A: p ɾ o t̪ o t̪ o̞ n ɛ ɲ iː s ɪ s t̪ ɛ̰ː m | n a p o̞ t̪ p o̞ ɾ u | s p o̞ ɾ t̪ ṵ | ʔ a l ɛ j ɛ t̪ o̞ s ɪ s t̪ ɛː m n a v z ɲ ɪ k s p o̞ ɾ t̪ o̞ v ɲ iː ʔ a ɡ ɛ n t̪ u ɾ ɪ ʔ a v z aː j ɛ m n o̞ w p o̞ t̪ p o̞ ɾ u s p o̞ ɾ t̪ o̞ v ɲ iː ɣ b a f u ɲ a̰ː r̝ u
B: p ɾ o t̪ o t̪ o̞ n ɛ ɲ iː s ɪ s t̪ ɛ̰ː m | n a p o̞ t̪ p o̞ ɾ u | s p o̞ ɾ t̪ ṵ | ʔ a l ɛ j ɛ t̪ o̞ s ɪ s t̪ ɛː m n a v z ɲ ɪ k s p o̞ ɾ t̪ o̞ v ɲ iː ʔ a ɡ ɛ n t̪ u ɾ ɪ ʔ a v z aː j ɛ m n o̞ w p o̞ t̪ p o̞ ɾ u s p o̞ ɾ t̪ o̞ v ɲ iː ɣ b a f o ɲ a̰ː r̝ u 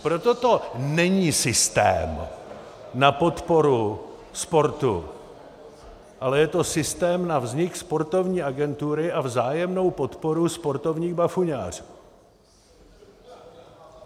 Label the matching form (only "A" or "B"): A